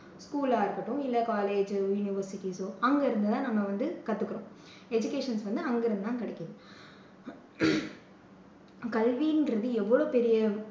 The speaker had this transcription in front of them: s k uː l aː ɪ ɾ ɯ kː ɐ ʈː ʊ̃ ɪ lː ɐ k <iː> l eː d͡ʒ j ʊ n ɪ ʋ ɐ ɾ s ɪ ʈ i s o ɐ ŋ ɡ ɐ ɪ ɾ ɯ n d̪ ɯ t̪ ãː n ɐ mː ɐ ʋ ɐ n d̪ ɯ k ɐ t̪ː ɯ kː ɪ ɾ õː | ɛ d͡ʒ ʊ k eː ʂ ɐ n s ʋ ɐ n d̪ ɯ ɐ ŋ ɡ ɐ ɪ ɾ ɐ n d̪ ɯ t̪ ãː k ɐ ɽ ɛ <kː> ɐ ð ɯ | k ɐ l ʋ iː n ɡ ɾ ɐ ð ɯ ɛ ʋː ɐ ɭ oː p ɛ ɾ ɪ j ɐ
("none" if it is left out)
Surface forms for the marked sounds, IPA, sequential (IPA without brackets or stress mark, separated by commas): aː, kː